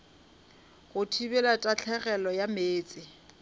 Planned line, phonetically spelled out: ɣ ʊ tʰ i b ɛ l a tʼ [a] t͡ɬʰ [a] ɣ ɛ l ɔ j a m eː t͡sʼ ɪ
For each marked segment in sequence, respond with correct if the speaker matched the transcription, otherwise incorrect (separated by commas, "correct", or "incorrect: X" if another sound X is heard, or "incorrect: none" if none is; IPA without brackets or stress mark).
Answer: correct, incorrect: ɛ